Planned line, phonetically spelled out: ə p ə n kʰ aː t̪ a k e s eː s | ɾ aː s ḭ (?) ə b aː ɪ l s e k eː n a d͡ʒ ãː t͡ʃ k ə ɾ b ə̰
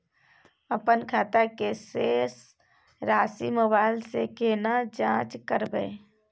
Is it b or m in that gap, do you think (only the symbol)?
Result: m